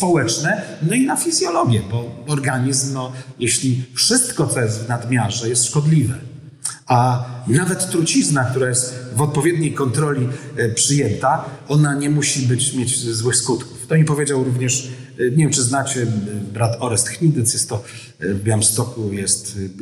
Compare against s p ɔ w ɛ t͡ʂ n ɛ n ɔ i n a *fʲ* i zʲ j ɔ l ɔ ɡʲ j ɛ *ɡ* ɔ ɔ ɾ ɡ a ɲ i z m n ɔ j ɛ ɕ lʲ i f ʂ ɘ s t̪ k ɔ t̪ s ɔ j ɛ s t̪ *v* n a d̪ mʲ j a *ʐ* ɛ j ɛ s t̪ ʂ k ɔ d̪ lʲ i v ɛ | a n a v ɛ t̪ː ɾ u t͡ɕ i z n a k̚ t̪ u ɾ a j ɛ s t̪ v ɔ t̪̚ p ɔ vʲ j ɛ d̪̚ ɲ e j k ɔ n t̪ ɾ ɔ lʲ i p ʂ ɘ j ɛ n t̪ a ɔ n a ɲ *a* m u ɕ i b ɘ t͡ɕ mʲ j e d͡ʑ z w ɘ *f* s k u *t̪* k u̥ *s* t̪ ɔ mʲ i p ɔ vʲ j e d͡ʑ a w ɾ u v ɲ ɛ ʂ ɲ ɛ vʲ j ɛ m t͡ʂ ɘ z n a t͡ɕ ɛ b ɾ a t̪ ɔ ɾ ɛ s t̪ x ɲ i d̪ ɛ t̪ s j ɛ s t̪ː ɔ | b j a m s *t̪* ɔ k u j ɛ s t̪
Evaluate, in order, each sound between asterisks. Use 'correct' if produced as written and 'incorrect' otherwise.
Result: correct, incorrect, correct, correct, incorrect, incorrect, correct, incorrect, correct

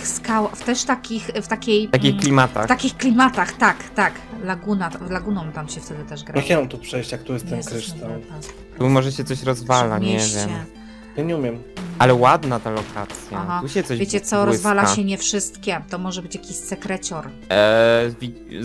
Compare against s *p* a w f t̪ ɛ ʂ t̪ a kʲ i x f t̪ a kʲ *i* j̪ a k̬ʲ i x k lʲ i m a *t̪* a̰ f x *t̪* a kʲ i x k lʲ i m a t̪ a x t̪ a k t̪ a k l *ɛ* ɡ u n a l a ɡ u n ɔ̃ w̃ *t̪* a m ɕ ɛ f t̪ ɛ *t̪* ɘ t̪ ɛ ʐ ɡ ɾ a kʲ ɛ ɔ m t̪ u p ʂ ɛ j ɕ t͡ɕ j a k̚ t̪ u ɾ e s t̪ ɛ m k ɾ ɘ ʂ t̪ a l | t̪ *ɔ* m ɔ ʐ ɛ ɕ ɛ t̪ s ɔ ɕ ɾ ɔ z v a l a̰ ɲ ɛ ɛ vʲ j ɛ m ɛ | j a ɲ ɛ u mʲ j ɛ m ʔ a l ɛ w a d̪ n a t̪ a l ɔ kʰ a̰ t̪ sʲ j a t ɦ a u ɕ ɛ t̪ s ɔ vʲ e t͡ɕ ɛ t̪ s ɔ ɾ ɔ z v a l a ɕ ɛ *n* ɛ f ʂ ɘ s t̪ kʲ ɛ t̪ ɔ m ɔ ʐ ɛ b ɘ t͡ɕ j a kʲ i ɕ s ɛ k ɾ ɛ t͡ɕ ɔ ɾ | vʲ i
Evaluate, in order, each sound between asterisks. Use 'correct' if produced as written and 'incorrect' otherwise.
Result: incorrect, incorrect, correct, correct, incorrect, correct, incorrect, incorrect, incorrect

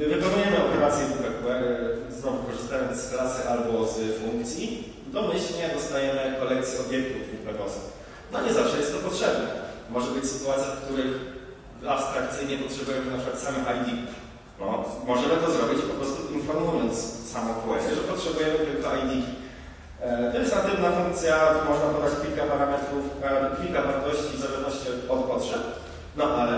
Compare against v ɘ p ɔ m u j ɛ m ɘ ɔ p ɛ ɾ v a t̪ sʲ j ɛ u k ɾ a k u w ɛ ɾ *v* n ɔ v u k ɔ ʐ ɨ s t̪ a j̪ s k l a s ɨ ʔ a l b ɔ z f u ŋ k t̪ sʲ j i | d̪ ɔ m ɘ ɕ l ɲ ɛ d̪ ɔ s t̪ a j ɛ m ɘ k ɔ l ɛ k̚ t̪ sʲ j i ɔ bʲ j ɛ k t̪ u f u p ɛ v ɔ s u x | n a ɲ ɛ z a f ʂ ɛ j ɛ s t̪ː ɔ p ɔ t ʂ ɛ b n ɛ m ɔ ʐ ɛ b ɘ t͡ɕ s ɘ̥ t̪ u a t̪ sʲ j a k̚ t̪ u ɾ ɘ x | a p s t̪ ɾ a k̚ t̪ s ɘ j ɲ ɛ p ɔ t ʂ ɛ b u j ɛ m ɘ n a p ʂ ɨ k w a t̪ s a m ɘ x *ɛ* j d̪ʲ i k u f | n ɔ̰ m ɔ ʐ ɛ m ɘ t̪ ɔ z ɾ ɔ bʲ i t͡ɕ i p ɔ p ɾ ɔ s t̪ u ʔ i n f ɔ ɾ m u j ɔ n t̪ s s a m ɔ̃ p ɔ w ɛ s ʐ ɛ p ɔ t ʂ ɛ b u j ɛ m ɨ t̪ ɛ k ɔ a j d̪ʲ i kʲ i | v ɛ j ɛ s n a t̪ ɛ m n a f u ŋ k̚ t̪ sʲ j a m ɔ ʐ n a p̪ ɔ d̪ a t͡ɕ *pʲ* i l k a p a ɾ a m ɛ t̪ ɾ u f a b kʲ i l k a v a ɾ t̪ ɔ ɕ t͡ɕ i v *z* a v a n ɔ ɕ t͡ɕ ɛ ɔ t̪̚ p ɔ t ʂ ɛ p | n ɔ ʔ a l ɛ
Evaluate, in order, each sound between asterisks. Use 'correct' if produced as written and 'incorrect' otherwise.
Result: incorrect, incorrect, incorrect, correct

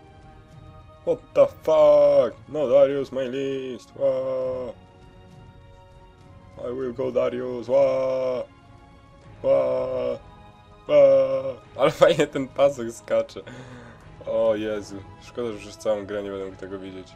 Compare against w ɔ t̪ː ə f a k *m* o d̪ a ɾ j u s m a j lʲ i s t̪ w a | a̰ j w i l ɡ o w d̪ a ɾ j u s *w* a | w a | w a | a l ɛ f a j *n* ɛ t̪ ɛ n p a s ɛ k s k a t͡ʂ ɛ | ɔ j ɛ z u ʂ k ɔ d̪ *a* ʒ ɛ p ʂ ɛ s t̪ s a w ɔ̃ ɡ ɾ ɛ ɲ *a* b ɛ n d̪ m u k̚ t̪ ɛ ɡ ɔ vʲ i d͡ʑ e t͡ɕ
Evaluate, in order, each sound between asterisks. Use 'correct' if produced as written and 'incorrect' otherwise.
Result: incorrect, correct, incorrect, correct, incorrect

